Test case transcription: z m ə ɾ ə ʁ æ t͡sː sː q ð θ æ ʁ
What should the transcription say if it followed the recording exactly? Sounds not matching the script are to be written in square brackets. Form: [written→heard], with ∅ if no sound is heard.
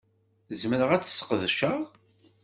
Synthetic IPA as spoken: z m ə ɾ ə ʁ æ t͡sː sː q ð [θ→ʃ] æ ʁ